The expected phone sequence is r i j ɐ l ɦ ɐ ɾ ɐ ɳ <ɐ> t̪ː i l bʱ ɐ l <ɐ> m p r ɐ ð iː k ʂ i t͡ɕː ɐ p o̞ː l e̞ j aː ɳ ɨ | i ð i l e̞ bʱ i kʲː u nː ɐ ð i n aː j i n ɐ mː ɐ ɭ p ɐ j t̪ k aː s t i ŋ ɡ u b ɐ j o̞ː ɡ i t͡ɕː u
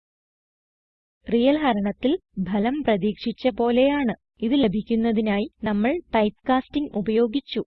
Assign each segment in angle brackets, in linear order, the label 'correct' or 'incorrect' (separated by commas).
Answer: correct, correct